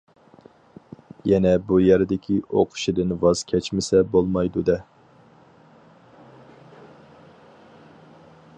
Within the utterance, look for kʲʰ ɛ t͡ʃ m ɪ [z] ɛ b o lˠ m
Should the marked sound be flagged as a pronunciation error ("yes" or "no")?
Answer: yes